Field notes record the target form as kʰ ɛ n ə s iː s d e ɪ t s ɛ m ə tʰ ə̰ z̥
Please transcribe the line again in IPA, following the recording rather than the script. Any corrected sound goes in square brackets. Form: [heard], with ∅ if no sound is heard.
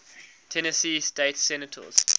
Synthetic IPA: [tʰ] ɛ n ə s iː s [t] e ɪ t s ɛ [n] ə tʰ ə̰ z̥